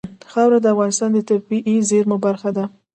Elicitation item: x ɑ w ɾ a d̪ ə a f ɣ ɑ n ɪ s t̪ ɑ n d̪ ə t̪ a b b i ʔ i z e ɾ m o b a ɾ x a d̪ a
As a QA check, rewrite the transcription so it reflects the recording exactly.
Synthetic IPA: x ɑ w ɾ a d̪ ə a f ɣ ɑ n ɪ s t̪ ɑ n d̪ ə t̪ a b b i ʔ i z e ɾ m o b a ɾ x a d̪ a